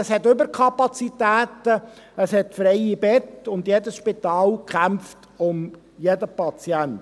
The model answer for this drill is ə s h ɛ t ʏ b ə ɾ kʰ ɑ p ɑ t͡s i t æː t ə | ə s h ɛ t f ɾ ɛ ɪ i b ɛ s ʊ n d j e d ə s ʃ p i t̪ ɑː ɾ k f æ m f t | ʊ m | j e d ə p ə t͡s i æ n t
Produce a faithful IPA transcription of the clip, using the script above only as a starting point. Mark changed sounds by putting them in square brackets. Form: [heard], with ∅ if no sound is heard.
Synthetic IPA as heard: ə s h ɛ t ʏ b ə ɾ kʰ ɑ p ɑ t͡s i t æː t ə | ə s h ɛ t f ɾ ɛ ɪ i b ɛ [t] ʊ n d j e d ə s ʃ p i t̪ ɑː [l] k [χ] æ m f t | ʊ m | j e d ə p [ɑ] t͡s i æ n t